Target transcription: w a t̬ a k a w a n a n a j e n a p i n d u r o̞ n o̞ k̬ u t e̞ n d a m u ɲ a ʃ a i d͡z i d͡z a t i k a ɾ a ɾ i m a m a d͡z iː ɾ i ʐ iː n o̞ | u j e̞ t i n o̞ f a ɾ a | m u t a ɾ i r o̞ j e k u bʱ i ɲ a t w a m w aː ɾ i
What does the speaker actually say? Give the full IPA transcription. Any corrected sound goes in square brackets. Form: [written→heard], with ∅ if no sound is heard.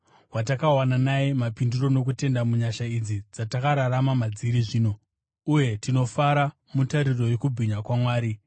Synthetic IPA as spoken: w a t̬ a k a w a n a n a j e [n→m] a p i n d u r o̞ n o̞ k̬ u t e̞ n d a m u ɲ a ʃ a i d͡z i d͡z a t [i→a] k a ɾ a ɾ [i→a] m a m a d͡z [iː→i] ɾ i ʐ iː n o̞ | u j e̞ t i n o̞ f a ɾ a | m u t a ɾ i r o̞ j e k u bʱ i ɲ a [t→k] w a m w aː ɾ i